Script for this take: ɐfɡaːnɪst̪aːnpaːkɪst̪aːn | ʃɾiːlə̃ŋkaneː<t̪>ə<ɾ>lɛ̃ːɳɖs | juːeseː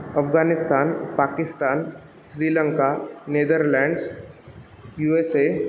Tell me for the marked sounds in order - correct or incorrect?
incorrect, correct

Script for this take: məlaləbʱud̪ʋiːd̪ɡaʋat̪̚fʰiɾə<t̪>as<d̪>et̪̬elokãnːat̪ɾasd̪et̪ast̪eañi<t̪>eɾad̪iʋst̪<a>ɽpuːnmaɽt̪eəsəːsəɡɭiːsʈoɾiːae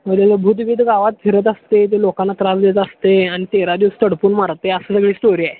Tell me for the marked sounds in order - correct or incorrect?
correct, incorrect, correct, incorrect

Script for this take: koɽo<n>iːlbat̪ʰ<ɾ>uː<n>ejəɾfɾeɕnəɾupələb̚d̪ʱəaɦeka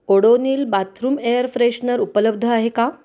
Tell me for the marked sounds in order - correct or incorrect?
correct, correct, incorrect

